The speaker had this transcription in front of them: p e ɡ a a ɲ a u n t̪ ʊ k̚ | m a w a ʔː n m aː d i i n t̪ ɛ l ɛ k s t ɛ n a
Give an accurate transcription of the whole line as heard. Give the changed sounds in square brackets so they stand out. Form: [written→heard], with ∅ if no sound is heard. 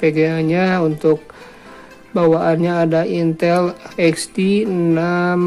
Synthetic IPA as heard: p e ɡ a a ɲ a u n t̪ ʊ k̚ | [m→b] a w a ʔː n [m→ɲ] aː d [i→a] i n t̪ ɛ l ɛ k s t [ɛ→i] n a